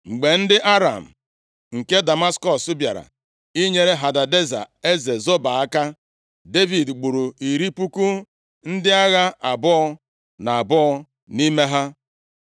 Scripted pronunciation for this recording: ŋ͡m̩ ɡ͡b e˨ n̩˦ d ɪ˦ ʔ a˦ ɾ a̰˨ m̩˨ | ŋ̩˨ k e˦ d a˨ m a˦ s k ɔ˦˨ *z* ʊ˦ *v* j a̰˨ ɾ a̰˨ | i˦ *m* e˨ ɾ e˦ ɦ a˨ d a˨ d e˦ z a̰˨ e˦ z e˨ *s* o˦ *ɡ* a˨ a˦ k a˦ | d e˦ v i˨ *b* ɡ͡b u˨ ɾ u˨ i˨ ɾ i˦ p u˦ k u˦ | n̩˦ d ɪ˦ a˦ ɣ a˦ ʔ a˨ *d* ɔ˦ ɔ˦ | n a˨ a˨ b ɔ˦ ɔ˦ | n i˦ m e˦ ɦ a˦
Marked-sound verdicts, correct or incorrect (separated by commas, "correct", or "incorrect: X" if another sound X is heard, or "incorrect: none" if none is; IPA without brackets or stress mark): incorrect: s, incorrect: b, incorrect: ɲ, incorrect: z, incorrect: b, incorrect: d, incorrect: b